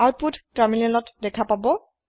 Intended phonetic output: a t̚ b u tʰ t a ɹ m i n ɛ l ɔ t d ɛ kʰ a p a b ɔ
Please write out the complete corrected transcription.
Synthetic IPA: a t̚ p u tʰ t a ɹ m i n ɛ l ɔ t d ɛ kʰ a p a b ɔ